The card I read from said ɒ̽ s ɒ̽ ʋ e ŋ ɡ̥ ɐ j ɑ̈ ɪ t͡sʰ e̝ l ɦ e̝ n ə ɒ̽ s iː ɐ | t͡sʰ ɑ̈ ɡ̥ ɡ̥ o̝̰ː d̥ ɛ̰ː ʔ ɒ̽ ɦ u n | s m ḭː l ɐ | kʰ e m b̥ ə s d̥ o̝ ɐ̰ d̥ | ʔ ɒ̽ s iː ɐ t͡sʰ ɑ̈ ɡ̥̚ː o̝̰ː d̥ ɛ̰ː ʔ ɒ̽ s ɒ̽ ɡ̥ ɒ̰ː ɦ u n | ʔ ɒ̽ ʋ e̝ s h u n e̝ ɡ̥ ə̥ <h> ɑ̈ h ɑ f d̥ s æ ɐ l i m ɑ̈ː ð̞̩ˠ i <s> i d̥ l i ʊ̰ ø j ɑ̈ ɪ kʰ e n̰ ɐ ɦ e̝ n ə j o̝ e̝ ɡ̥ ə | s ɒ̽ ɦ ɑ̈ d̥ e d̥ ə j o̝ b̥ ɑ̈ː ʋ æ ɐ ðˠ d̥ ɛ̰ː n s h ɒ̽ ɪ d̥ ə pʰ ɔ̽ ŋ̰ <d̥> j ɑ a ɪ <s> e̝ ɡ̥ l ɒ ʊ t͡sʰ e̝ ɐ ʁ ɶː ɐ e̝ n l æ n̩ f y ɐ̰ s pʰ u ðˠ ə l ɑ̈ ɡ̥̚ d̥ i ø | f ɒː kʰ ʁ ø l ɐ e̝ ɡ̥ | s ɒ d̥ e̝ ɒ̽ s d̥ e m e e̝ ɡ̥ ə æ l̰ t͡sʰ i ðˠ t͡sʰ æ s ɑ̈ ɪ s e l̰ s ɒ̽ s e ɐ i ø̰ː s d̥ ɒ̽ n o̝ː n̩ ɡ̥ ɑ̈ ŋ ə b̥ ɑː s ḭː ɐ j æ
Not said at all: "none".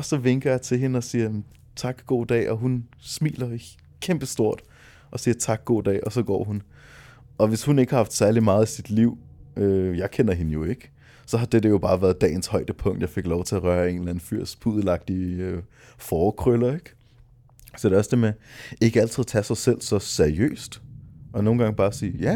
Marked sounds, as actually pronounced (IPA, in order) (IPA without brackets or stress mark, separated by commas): h, s, d̥, f